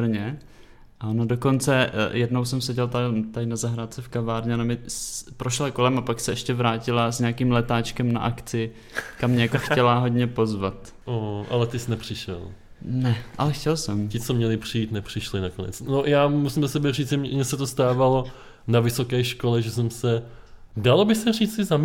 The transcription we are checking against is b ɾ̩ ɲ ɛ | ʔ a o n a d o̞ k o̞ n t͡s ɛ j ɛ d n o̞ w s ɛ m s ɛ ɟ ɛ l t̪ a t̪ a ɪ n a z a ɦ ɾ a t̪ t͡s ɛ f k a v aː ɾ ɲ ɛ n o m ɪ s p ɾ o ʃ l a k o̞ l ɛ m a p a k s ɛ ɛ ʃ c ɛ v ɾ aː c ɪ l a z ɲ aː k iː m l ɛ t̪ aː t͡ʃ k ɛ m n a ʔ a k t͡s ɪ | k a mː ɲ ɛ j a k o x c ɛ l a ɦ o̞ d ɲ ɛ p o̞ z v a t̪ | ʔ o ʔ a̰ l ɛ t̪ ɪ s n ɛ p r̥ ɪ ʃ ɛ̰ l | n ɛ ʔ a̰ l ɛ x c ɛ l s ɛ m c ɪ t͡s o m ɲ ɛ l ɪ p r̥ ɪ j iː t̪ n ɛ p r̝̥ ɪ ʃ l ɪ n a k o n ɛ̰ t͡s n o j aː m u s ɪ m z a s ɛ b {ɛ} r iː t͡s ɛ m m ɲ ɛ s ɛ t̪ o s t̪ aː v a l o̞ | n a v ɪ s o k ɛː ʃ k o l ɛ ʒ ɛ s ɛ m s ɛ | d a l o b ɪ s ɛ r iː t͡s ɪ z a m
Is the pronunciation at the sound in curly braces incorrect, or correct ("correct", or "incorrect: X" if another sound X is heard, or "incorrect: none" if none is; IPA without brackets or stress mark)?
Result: correct